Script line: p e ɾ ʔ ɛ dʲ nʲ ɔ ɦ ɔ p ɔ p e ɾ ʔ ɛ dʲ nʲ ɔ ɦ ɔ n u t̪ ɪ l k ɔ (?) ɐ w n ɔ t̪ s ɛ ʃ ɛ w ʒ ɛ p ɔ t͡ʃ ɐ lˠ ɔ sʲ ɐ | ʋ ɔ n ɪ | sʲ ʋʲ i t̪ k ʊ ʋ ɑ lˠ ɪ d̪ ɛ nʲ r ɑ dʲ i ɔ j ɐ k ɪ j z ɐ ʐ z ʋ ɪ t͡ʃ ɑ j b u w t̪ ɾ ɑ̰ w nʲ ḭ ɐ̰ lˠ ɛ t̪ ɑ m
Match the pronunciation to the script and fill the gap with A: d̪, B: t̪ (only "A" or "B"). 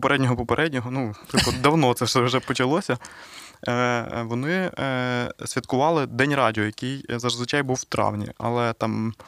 A